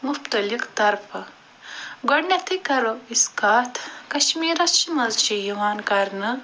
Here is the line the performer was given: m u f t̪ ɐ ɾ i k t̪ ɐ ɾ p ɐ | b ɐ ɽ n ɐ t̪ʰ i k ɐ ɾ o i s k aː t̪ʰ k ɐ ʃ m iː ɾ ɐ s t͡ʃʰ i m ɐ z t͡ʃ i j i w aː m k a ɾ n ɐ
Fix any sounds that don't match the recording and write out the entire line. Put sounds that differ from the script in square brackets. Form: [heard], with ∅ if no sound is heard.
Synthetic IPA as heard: m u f t̪ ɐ [l] i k t̪ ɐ ɾ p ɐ | [ɡ] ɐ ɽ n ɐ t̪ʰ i k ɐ ɾ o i s k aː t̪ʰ k ɐ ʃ m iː ɾ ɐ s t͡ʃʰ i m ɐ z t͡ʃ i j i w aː [n] k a ɾ n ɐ